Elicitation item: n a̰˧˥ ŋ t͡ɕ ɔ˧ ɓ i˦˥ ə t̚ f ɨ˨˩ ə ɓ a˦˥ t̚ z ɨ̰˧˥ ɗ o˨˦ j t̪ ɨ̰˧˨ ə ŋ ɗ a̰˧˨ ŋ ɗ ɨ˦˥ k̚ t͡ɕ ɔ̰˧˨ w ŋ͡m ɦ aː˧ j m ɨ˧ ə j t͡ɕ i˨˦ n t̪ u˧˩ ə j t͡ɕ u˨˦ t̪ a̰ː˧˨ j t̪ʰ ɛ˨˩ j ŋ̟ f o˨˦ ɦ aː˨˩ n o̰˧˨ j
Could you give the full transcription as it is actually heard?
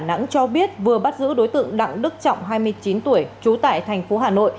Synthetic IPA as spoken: n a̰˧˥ ŋ t͡ɕ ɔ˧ ɓ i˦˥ ə t̚ v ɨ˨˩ ə ɓ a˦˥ t̚ z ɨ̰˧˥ ɗ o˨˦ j t̪ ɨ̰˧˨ ə ŋ ɗ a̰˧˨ ŋ ɗ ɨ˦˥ k̚ t͡ɕ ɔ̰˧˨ w ŋ͡m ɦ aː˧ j m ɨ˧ ə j t͡ɕ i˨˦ n t̪ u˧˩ ə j t͡ɕ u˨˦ t̪ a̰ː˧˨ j t̪ʰ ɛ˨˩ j ŋ̟ f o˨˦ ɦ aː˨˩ n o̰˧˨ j